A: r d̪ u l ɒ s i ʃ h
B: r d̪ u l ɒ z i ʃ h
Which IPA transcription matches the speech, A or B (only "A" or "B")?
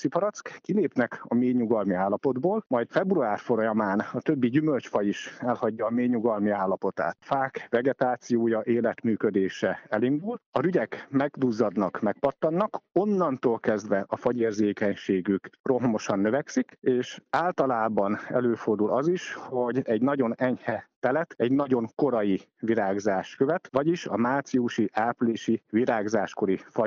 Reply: B